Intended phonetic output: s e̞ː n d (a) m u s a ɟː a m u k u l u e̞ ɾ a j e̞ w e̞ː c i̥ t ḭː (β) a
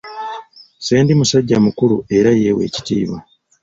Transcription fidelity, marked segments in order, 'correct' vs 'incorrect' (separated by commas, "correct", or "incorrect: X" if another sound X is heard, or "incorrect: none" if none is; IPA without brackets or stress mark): incorrect: i, correct